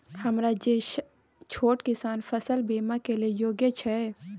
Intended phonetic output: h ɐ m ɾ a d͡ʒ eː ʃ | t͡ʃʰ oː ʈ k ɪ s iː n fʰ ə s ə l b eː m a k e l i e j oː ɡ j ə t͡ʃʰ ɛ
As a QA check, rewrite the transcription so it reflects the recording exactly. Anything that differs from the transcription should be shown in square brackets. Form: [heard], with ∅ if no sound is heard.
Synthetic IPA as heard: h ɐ m ɾ a d͡ʒ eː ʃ | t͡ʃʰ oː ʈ k ɪ s [aː] n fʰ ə s ə l b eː m a k e l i e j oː ɡ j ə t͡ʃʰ ɛ